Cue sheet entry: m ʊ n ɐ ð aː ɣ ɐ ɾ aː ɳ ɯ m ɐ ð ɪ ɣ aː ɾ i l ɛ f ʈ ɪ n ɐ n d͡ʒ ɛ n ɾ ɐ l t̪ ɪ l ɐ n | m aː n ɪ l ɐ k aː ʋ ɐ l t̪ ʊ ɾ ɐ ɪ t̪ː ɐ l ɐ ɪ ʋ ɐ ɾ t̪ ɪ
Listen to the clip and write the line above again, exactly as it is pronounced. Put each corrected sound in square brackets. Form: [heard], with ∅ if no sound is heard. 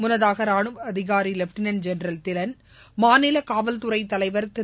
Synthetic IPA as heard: m ʊ n ɐ ð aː ɣ ɐ ɾ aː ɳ ɯ m ɐ ð ɪ ɣ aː ɾ i l ɛ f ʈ ɪ n ɐ n d͡ʒ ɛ n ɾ ɐ l t̪ ɪ l ɐ n | m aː n ɪ l ɐ k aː ʋ ɐ l t̪ ʊ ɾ ɐ ɪ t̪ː ɐ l ɐ ɪ ʋ ɐ ɾ t̪ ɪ